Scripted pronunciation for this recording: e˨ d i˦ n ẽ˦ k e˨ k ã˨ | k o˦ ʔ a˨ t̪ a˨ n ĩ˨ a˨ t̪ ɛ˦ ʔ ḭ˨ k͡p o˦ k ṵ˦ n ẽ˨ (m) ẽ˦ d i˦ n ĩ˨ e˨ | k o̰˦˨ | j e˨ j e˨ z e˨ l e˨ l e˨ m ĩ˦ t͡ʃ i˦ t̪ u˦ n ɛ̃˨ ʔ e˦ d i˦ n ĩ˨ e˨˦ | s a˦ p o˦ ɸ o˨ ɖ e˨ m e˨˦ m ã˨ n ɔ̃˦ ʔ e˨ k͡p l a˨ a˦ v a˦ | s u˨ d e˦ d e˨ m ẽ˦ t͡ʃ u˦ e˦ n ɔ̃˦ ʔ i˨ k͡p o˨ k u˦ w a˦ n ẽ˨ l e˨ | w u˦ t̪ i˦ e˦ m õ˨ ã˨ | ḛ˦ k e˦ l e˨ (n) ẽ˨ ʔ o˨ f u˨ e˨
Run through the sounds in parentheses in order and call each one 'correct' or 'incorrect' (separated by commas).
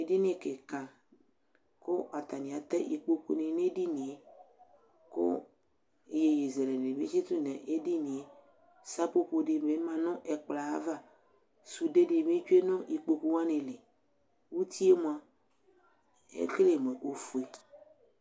incorrect, incorrect